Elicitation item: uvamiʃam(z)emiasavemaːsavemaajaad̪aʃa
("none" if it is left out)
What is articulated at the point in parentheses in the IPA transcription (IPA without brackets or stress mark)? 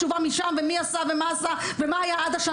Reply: v